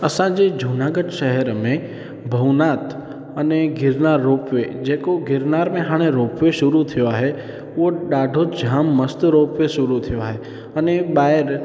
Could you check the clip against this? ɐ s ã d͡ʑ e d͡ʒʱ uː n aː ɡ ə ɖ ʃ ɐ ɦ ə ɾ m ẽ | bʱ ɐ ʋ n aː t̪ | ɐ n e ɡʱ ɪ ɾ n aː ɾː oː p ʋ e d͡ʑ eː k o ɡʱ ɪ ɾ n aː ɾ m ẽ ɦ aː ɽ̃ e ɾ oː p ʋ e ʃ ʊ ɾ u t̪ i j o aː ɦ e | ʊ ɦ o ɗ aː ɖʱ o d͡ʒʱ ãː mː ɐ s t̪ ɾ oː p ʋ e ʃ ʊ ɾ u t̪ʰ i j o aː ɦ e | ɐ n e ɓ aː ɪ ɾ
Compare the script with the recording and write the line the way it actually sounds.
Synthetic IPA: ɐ s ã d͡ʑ e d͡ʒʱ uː n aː ɡ ə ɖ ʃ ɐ ɦ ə ɾ m ẽ | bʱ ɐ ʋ n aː t̪ | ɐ n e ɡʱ ɪ ɾ n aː ɾː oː p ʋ e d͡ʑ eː k o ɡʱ ɪ ɾ n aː ɾ m ẽ ɦ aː ɽ̃ e ɾ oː p ʋ e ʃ ʊ ɾ u t̪ʰ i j o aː ɦ e | ʊ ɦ o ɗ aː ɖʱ o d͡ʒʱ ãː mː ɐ s t̪ ɾ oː p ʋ e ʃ ʊ ɾ u t̪ʰ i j o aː ɦ e | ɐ n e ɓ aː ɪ ɾ